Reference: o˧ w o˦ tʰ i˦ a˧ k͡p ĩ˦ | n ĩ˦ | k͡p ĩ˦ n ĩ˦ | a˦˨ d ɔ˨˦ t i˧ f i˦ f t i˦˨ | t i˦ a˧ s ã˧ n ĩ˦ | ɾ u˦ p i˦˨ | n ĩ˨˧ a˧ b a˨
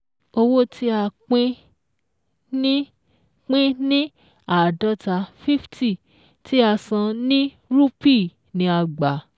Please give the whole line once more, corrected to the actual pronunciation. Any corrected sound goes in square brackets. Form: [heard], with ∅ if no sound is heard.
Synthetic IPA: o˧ w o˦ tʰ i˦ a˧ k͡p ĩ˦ | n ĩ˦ | k͡p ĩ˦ n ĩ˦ | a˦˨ d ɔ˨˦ t [a˧] f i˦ f t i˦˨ | t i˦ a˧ s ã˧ n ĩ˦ | ɾ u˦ p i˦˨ | n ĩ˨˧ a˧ [ɡ͡b] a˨